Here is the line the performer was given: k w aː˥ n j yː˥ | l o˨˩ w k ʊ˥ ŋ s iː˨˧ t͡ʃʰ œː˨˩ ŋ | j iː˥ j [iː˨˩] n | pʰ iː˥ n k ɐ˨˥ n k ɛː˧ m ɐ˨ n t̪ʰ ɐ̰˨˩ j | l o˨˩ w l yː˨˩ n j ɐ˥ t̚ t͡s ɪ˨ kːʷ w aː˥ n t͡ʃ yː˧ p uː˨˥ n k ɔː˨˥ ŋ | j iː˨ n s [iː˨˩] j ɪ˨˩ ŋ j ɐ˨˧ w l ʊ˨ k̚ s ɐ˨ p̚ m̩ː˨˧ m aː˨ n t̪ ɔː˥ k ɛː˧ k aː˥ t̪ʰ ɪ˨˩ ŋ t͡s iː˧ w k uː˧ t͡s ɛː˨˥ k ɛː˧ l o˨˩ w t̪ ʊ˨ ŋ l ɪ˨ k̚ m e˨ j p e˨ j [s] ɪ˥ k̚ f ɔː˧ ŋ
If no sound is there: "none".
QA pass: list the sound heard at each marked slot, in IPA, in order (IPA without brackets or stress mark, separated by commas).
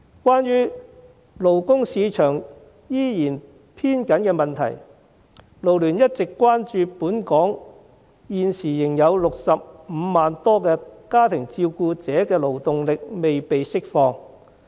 iː˨˩, iː˨˩, s